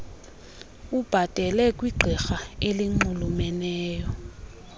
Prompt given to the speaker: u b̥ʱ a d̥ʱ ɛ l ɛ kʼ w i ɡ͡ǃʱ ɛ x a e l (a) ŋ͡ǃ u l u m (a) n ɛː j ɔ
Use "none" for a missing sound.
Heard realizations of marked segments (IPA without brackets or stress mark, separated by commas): i, ɛ